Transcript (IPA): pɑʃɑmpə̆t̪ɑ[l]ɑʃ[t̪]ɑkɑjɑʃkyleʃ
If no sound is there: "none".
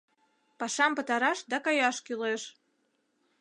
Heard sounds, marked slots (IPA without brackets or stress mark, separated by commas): ɾ, d̪